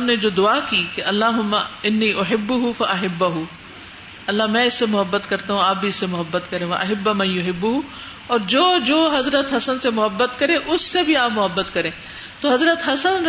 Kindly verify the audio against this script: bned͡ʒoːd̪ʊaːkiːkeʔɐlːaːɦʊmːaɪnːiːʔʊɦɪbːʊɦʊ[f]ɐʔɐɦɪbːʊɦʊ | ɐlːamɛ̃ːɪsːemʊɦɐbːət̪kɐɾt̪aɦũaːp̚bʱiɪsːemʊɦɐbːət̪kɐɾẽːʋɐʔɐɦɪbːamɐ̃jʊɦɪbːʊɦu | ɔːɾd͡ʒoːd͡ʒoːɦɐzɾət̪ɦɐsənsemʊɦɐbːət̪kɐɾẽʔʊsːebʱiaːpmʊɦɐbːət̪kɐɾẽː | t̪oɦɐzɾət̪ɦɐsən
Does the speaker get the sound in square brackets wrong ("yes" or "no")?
no